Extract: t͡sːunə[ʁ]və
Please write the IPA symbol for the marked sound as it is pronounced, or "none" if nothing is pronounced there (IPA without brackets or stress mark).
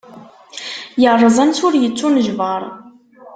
ʒ